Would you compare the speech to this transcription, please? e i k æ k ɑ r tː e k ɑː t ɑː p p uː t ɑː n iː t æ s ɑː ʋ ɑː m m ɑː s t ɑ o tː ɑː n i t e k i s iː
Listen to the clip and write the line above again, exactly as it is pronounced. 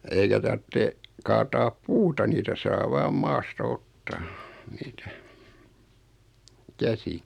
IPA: e i k æ t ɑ r tː e k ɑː t ɑː p p uː t ɑ n iː t æ s ɑː ʋ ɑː m m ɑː s t ɑ o tː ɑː n iː t æ k æ s i